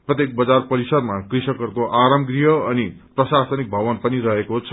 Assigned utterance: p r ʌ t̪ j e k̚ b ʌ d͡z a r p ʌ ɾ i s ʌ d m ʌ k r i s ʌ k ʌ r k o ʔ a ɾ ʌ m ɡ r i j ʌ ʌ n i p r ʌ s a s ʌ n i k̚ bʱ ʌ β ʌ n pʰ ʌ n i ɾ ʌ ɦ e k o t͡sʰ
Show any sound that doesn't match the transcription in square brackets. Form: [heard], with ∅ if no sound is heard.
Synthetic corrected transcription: p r ʌ t̪ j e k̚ b ʌ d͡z a r p ʌ ɾ i s ʌ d m [a] k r i s ʌ k ʌ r k o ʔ a ɾ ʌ m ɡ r i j ʌ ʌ n i p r ʌ s a s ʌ n i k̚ bʱ ʌ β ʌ n [p] ʌ n i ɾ ʌ ɦ e k o t͡sʰ